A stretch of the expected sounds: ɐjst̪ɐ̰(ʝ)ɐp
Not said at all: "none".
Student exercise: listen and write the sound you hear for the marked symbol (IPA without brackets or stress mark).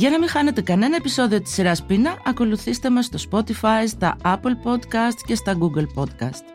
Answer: none